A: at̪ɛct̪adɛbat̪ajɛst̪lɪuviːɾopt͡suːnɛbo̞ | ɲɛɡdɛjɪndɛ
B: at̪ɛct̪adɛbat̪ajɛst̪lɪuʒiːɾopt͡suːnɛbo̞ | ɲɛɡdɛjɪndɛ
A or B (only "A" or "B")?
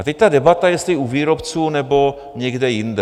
A